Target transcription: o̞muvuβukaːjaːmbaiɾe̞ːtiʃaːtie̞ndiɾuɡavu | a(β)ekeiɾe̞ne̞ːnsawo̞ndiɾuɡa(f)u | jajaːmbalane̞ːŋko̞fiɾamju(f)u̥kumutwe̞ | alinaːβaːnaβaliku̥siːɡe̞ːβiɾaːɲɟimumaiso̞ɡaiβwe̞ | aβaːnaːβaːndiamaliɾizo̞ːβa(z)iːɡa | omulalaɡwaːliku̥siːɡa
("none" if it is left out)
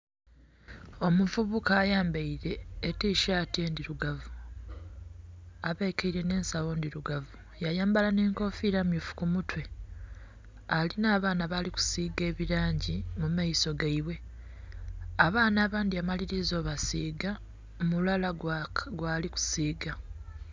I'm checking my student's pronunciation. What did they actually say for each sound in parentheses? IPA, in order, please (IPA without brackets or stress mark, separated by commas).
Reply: β, v, f, s